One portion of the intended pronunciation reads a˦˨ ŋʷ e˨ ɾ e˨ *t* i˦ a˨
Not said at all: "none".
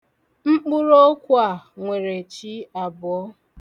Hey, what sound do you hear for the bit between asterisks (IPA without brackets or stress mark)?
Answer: t͡ʃ